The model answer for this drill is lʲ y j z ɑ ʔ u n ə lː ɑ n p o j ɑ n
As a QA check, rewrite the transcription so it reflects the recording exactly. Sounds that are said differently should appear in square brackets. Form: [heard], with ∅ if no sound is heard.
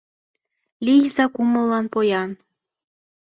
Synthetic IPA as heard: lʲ [i] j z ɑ [k] u [m] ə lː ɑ n p o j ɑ n